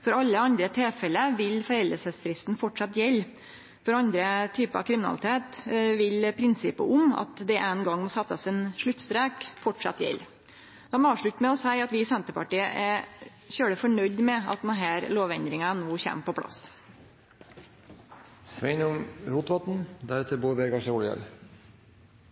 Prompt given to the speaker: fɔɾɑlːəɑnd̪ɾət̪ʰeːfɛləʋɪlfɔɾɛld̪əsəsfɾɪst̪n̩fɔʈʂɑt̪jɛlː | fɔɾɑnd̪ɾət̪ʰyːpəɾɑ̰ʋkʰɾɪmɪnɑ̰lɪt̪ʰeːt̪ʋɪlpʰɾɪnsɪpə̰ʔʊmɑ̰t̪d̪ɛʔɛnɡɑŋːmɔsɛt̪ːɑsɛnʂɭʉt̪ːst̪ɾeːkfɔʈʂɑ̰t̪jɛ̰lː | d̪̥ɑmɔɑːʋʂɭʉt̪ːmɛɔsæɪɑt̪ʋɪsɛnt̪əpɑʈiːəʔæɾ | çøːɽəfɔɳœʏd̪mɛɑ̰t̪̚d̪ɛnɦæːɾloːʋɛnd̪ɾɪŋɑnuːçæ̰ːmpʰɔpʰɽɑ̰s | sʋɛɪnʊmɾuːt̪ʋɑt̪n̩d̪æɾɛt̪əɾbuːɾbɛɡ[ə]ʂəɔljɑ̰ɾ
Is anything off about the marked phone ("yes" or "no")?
yes